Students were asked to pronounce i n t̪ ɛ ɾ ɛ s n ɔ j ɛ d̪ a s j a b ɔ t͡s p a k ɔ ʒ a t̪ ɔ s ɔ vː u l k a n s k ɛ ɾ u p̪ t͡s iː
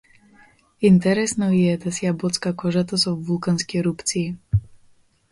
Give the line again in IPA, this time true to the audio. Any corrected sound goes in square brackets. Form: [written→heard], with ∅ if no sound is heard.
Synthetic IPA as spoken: i n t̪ ɛ ɾ ɛ s n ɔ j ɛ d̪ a s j a b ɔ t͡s [p→k] a k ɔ ʒ a t̪ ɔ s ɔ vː u l k a n s k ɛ ɾ u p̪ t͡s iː